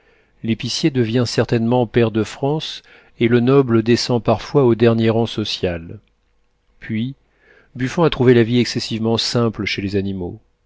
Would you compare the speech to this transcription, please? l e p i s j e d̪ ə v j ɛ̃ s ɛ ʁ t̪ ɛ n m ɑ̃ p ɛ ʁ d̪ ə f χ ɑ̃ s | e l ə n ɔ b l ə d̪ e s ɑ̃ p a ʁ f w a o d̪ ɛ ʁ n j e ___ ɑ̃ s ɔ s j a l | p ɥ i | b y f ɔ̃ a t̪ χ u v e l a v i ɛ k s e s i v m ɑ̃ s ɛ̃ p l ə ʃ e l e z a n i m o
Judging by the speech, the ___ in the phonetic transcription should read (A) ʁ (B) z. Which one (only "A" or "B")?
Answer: A